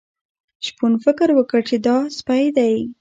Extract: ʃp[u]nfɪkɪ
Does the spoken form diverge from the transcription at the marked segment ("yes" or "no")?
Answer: no